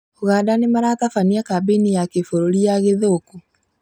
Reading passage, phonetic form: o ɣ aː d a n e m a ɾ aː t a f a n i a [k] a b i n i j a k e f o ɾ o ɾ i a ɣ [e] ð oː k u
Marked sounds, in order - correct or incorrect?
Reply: correct, correct

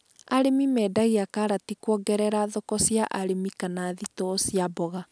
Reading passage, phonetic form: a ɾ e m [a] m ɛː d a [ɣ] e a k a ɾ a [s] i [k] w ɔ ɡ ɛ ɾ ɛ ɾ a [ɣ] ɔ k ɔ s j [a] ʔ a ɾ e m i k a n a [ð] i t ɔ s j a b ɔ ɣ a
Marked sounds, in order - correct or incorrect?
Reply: incorrect: i, correct, incorrect: t, correct, incorrect: ð, correct, correct

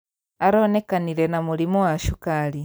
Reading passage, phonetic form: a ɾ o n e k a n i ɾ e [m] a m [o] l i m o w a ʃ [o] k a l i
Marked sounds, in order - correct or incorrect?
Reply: incorrect: n, incorrect: u, incorrect: u

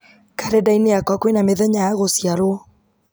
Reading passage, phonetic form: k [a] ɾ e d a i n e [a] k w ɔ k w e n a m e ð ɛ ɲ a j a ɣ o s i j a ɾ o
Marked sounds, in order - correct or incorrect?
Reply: correct, correct

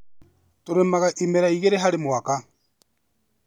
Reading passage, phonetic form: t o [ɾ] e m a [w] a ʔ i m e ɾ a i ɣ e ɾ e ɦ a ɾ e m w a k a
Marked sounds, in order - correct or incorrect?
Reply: correct, incorrect: ɣ

